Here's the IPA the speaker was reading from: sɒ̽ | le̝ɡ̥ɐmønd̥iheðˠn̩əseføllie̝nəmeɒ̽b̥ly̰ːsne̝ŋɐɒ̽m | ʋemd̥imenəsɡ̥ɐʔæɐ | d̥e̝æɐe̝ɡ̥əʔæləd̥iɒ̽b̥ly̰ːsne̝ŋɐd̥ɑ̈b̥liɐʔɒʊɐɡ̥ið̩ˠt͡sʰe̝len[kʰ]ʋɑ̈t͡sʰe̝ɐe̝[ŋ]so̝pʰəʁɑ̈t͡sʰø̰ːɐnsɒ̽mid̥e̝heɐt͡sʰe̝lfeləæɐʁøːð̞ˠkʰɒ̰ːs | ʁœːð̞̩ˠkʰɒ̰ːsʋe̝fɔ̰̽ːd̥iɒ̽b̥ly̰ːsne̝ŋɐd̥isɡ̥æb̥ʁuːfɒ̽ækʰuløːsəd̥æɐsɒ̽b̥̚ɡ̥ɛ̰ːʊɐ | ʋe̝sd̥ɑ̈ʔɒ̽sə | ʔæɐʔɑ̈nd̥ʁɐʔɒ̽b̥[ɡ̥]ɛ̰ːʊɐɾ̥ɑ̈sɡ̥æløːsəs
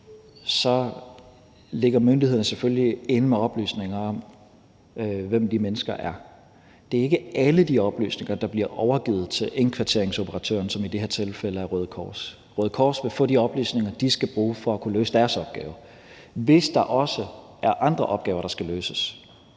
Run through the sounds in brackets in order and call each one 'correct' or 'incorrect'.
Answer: correct, correct, correct

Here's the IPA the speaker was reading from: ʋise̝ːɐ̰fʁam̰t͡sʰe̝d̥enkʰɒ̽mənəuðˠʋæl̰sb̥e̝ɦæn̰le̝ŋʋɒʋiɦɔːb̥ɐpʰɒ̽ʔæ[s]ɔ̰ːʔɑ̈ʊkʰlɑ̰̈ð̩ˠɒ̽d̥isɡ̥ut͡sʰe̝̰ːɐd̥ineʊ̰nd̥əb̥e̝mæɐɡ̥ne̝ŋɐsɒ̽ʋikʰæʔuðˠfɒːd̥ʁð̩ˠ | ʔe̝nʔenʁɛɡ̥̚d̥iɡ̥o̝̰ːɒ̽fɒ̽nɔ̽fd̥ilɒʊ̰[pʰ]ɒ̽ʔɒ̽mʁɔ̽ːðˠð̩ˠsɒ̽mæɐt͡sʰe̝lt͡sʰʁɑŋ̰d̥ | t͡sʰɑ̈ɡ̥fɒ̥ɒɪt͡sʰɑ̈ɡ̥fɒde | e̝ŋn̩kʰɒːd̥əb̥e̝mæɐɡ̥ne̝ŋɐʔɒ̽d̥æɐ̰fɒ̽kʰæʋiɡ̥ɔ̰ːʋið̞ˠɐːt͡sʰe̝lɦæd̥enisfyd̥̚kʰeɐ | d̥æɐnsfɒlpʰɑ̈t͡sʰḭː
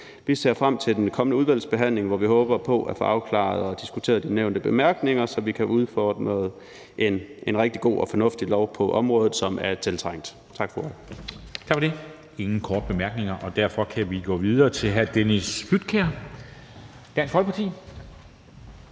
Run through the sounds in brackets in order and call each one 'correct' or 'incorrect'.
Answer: incorrect, correct

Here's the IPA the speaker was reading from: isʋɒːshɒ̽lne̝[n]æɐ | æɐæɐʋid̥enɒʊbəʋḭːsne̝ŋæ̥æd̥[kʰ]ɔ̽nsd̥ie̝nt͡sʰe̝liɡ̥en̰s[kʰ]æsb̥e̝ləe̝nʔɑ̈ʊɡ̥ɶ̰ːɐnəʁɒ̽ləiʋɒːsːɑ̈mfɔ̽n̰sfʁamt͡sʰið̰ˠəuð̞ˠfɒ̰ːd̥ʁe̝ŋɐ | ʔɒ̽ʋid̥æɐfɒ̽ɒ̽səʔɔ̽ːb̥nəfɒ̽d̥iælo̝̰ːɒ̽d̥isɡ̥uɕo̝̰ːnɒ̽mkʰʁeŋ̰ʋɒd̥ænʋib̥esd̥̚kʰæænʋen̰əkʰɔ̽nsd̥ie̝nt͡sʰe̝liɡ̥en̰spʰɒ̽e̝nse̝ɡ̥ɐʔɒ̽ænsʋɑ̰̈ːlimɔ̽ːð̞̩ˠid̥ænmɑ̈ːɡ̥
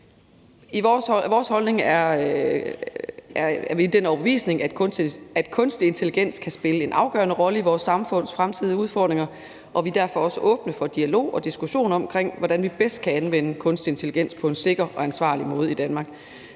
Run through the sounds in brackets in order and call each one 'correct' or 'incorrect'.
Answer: incorrect, correct, correct

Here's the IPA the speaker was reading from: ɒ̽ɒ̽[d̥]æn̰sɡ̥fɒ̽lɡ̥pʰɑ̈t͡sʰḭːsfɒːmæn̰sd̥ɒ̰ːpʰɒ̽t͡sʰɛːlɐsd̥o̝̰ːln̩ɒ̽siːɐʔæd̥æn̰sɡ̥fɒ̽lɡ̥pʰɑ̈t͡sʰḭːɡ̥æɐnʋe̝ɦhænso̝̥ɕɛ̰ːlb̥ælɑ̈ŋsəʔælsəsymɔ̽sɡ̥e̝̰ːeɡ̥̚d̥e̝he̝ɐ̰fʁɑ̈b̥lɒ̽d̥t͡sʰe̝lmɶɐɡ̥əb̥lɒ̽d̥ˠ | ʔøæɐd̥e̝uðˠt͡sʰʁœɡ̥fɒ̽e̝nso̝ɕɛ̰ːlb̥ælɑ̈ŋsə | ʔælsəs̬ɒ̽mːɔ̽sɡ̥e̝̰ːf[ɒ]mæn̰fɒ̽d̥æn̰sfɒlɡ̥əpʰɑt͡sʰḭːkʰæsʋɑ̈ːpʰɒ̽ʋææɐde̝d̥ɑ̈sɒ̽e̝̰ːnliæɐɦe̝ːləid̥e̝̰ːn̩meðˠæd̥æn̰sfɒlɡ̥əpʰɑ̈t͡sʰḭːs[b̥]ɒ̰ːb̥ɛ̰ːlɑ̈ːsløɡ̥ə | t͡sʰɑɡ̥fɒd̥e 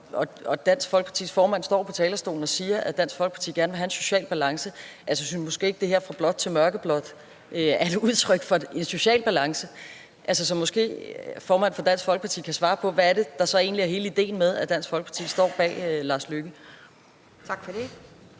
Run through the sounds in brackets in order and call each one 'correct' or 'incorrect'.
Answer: correct, incorrect, incorrect

